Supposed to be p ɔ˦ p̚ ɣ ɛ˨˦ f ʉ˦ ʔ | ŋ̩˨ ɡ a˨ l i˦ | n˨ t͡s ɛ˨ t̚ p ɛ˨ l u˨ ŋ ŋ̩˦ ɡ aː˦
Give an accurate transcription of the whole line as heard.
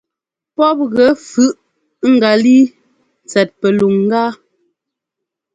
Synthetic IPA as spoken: p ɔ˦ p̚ ɣ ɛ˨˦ f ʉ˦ ʔ | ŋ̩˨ ɡ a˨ l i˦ | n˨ t͡s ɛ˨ t̚ p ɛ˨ l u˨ ŋ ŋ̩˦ ɡ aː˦